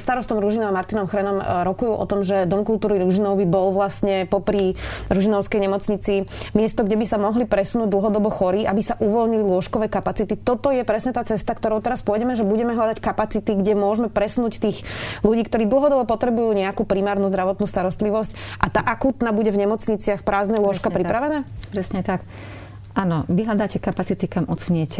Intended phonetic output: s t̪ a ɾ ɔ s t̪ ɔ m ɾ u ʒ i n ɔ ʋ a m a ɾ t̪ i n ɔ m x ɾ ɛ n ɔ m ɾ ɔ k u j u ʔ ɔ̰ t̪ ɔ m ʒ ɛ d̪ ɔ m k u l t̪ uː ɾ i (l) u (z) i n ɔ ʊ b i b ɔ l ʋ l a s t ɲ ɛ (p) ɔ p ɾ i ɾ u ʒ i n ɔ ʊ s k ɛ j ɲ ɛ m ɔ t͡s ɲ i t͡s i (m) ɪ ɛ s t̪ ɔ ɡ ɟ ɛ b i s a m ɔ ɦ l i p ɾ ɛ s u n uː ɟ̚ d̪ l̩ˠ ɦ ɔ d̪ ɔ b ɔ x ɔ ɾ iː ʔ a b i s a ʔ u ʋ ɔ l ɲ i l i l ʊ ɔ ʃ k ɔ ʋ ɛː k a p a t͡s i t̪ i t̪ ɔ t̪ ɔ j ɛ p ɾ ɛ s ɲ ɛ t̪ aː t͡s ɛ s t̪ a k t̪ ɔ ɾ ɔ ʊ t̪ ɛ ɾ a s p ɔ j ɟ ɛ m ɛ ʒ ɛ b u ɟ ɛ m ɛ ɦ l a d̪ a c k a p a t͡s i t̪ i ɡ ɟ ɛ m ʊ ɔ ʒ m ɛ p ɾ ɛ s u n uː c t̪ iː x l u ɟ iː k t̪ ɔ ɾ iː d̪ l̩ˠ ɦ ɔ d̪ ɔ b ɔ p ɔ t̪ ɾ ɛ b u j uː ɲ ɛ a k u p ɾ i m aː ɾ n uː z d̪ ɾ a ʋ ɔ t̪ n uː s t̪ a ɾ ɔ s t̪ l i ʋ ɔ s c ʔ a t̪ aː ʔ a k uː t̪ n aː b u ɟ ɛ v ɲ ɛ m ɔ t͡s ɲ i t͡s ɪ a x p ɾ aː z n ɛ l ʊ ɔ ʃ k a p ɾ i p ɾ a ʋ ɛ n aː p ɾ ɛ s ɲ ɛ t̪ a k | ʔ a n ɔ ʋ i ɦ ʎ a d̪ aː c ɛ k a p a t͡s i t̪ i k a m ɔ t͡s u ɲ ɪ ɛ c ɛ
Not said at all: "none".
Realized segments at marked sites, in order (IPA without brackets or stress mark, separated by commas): ɾ, ʒ, p, m